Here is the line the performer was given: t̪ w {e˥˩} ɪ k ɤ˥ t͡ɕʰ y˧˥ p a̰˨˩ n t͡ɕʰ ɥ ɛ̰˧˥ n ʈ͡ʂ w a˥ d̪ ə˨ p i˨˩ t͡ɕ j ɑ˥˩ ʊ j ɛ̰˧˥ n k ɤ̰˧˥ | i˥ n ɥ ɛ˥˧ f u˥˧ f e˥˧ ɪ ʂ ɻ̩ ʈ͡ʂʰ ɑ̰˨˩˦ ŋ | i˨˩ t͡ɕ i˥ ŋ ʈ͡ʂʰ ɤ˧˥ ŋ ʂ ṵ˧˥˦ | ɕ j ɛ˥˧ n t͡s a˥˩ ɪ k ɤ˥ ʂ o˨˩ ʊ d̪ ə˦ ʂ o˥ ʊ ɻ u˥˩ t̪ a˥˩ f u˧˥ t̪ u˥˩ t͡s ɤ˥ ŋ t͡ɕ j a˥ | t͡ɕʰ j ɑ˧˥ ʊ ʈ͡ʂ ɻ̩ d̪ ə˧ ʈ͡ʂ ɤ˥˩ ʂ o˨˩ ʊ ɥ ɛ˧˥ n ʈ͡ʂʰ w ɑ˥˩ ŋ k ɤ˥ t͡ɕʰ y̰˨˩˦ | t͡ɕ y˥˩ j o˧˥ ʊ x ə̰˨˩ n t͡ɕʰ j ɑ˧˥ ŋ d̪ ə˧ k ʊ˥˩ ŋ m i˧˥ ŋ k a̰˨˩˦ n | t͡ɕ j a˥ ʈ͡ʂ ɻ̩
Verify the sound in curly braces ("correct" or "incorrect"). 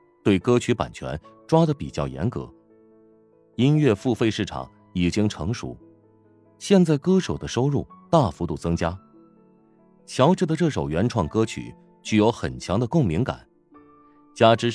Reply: correct